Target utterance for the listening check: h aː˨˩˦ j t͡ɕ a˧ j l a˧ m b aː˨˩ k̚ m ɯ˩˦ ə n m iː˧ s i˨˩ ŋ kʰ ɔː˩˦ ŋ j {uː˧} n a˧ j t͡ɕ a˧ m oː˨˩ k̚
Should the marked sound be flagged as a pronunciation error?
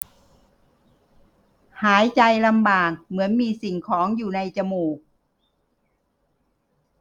yes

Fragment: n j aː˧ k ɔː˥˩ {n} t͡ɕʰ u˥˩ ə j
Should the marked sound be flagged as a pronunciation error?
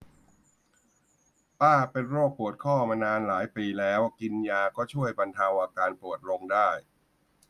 yes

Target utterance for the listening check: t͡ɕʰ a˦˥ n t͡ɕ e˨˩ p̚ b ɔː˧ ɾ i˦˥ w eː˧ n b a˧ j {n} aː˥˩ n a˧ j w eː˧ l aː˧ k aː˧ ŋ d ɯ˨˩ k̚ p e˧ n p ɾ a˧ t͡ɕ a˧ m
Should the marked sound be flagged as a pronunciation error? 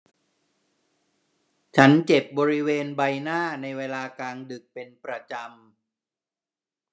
no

